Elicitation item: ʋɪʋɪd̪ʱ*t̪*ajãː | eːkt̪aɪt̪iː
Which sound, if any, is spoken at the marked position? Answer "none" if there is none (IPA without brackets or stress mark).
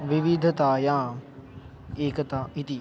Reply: t̪